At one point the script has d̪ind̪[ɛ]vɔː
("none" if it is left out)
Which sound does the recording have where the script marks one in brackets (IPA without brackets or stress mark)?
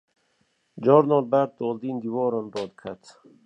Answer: i